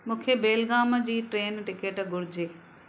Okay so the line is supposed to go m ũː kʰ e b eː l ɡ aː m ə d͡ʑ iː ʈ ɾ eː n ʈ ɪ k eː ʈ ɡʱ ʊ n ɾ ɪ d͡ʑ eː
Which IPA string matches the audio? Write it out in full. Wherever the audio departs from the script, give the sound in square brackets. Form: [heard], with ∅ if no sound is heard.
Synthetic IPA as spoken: m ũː kʰ e b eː l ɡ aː m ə d͡ʑ iː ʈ ɾ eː n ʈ ɪ k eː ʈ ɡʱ ʊ [∅] ɾ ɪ d͡ʑ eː

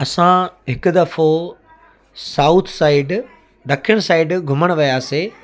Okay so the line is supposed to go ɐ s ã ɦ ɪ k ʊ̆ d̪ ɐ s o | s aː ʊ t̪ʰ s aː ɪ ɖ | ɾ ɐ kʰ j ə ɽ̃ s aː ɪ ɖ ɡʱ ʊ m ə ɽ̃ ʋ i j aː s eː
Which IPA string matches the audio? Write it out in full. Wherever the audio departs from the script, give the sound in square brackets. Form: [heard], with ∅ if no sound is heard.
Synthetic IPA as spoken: ɐ s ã ɦ ɪ k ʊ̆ d̪ ɐ [f] o | s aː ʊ t̪ʰ s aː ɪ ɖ | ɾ ɐ kʰ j ə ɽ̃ s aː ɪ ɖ ɡʱ ʊ m ə ɽ̃ ʋ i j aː s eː

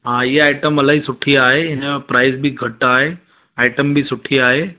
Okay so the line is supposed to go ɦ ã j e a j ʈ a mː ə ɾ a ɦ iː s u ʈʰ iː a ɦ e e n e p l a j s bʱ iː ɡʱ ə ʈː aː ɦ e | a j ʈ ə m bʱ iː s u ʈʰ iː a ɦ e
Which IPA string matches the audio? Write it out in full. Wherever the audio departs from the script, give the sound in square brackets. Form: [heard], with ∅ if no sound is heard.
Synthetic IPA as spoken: ɦ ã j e a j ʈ [ə] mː ə [l] a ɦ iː s u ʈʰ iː a ɦ e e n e p [ɾ] a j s bʱ iː ɡʱ ə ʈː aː ɦ e | a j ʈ ə m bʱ iː s u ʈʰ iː a ɦ e

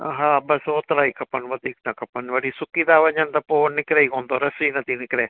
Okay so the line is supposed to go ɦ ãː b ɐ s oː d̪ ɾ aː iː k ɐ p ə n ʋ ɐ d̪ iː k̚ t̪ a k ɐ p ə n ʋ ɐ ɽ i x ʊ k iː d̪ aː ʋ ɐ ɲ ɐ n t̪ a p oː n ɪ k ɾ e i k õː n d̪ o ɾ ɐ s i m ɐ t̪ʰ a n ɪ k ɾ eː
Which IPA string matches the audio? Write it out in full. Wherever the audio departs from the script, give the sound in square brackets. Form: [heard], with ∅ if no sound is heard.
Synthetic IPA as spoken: ɦ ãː b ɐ s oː [t̪] ɾ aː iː k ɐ p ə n ʋ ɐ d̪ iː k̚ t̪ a k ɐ p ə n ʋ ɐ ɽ i [s] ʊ k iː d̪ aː ʋ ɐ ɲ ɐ n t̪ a p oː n ɪ k ɾ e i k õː n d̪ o ɾ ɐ s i [n] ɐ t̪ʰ [i] n ɪ k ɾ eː

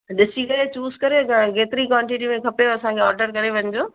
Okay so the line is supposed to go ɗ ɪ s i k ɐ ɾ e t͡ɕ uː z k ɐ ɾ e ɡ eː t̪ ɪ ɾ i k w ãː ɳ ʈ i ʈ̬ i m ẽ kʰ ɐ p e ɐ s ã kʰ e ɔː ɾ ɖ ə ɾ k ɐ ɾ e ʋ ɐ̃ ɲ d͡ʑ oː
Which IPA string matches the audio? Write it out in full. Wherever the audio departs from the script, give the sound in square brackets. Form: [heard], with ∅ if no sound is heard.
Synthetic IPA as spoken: ɗ ɪ s i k ɐ ɾ e t͡ɕ uː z k ɐ ɾ e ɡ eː t̪ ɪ ɾ i k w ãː ɳ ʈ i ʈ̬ i m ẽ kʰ ɐ p e ɐ s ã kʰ e ɔː ɾ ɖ ə ɾ k ɐ ɾ e ʋ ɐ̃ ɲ d͡ʑ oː

